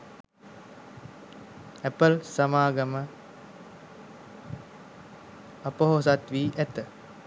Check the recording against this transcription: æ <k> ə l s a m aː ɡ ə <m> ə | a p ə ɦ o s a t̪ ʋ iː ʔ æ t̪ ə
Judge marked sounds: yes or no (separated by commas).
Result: no, yes